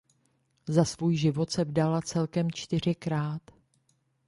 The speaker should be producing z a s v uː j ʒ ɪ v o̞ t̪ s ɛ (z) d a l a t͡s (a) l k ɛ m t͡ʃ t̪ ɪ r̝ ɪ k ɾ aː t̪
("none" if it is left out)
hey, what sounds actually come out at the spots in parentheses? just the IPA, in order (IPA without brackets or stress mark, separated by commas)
v, ɛ